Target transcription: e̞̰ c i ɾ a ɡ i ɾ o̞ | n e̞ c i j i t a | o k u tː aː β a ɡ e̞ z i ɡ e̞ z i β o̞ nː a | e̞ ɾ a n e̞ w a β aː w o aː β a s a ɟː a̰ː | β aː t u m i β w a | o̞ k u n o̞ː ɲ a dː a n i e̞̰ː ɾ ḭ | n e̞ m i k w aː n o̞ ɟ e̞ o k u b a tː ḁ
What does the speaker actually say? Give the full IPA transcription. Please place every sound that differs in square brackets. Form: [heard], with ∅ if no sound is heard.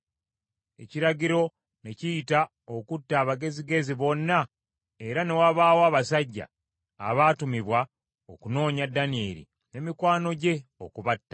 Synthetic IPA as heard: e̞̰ c i ɾ a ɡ i ɾ o̞ | n e̞ c i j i t a | o k u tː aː β a ɡ e̞ z i ɡ e̞ z i β o̞ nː a | e̞ ɾ a n e̞ w a β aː w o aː β a s a ɟː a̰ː | β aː t u m i β w a | o̞ k u n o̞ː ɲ a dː a n i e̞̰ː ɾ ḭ | n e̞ m i k w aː n o̞ ɟ e̞ o k u [β] a tː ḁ

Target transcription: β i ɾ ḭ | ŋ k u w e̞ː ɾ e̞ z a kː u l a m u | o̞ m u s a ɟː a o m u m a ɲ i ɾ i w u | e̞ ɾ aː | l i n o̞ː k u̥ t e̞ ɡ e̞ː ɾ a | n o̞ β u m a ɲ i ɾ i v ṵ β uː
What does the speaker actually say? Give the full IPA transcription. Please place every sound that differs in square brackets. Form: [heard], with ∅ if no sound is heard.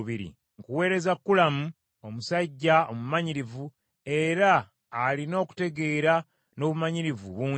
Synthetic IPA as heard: β i ɾ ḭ | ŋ k u w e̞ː ɾ e̞ z a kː u l a m u | o̞ m u s a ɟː a o m u m a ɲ i ɾ i [v] u | e̞ ɾ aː | l i n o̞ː k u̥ t e̞ ɡ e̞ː ɾ a | n o̞ β u m a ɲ i ɾ i v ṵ β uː

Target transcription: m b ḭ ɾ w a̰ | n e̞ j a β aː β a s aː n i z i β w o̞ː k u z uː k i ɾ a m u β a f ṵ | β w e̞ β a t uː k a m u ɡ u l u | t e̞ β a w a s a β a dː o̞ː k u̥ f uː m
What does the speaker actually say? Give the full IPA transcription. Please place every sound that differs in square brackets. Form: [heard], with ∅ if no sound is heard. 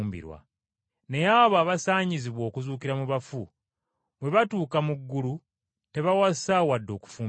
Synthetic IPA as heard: m b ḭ ɾ w a̰ | n e̞ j a β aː β a s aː [ɲ] i z i β w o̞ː k u z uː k i ɾ a m u β a f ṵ | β w e̞ β a t uː k a m u [ɡː] u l u | t e̞ β a w a s a [w] a dː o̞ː k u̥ f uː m

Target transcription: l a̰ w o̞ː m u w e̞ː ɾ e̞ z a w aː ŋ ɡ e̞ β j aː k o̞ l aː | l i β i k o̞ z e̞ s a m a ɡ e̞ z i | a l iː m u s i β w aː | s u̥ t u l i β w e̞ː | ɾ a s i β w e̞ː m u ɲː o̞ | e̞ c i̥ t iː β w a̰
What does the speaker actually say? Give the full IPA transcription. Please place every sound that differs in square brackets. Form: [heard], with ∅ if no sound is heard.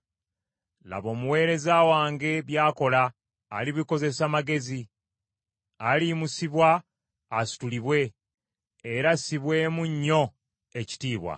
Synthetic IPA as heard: l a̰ [β] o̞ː m u w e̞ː ɾ e̞ z a w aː ŋ ɡ e̞ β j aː k o̞ l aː | l i β i k o̞ z e̞ s a m a ɡ e̞ z i | a l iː m u s i β w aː | s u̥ t u l i β w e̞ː | ɾ a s i β w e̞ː m u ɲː o̞ | e̞ c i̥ t iː β w a̰

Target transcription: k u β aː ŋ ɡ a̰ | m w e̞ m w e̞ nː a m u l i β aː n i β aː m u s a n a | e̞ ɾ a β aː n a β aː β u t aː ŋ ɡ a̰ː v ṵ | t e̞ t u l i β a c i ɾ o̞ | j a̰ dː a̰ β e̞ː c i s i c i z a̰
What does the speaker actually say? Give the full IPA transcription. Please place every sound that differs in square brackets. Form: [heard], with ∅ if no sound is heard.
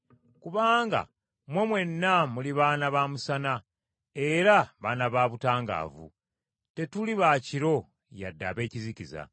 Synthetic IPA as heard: k u β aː ŋ ɡ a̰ | m w e̞ m w e̞ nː a m u l i β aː n [a] β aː m u s a n a | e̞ ɾ a β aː n a β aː β u t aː ŋ ɡ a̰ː v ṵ | t e̞ t u l i β a c i ɾ o̞ | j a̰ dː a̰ β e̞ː c i [z] i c i z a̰

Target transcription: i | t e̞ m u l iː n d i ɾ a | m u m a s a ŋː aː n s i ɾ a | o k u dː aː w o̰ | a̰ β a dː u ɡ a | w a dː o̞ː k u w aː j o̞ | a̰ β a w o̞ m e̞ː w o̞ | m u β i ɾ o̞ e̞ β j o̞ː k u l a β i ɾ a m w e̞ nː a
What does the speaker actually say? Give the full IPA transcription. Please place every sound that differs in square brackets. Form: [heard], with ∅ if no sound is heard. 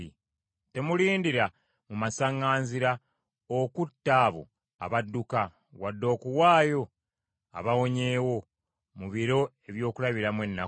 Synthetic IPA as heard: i | t e̞ m u l iː n d i ɾ a | m u m a s a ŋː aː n [z] i ɾ a | o k u [tː] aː [β] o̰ | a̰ β a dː u [k] a | w a dː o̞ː k u w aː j o̞ | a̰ β a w o̞ [ɲ] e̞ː w o̞ | m u β i ɾ o̞ e̞ β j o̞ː k u l a β i ɾ a m w e̞ nː a

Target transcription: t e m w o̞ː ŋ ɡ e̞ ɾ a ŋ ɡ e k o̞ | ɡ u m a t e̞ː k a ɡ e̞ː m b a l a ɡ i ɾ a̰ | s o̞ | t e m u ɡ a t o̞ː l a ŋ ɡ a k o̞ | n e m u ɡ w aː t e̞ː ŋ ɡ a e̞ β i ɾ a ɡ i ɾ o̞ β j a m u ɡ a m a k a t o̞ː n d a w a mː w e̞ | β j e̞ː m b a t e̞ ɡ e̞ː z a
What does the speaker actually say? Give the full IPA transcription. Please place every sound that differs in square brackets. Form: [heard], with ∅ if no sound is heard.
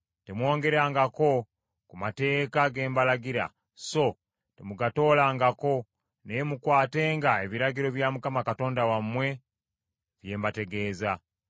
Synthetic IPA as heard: t e m w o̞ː ŋ ɡ e̞ ɾ a ŋ ɡ [a] k o̞ | [k] u m a t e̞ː k a ɡ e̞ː m b a l a ɡ i ɾ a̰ | s o̞ | t e m u ɡ a t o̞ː l a ŋ ɡ a k o̞ | n e m u [k] w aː t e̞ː ŋ ɡ a e̞ β i ɾ a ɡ i ɾ o̞ β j a m u [k] a m a k a t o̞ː n d a w a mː w e̞ | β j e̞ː m b a t e̞ ɡ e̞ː z a

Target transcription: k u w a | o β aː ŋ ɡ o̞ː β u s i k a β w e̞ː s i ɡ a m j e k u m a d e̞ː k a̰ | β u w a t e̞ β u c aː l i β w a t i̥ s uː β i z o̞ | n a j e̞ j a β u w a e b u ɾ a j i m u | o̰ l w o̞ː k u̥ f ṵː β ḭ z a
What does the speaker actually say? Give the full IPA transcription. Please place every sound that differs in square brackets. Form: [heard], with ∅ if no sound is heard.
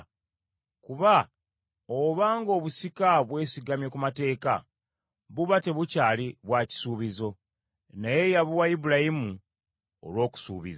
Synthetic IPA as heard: k u [β] a | o β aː ŋ ɡ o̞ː β u s i k a β w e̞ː s i ɡ a m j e k u m a [t] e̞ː k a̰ | β u [β] a t e̞ β u c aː l i β w a [c] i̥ s uː β i z o̞ | n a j e̞ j a β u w a [i] b u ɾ a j i m u | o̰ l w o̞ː k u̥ [s] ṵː β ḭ z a

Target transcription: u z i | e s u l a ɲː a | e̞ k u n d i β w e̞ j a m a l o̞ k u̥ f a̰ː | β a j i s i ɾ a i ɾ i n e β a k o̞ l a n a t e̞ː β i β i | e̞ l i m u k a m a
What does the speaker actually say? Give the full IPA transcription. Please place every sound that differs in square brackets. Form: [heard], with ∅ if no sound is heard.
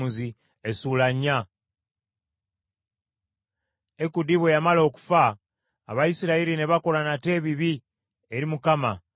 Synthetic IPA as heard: u z i | e s u l a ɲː a | e̞ k u [∅] d i β w e̞ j a m a l o̞ k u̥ f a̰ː | β a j i s i ɾ a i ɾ i n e β a k o̞ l a n a t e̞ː β i β i | e̞ [ɾ] i m u k a m a

